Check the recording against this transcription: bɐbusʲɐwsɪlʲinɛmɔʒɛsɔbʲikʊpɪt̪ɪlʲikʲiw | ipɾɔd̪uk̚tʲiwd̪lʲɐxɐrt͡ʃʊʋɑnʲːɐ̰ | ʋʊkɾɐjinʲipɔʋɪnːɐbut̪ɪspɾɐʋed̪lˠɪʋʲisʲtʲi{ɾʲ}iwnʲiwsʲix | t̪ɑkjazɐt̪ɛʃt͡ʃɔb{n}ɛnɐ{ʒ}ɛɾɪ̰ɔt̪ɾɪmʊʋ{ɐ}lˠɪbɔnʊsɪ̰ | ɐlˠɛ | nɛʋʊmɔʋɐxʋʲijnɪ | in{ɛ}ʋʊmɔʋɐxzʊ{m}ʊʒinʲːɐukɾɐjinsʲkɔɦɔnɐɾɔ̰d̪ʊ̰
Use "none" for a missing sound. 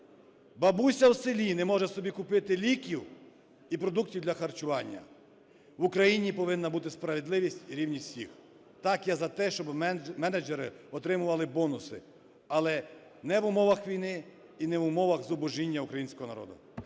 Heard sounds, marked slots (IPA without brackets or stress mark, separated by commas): ɾʲ, m, d͡ʒ, ɐ, ɛ, b